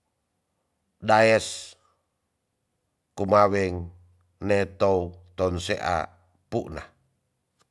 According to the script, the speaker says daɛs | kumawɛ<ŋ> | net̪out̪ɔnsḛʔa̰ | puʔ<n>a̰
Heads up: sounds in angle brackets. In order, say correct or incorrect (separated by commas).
correct, correct